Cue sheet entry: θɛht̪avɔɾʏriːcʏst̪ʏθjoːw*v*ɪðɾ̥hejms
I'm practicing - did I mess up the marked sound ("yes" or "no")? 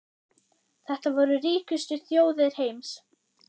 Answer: yes